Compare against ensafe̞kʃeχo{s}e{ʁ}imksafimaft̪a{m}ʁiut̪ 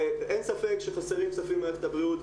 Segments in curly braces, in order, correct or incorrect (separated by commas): correct, correct, incorrect